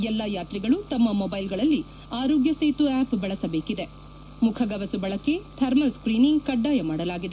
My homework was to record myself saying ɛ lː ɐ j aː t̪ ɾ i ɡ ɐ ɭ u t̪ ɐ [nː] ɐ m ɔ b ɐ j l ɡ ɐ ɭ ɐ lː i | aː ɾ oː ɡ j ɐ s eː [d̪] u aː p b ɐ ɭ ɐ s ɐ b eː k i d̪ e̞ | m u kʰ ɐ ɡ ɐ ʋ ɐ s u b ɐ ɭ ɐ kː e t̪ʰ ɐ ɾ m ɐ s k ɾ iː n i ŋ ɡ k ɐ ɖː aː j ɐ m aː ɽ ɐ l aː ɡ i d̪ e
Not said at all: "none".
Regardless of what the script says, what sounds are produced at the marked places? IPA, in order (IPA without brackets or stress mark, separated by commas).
mː, t̪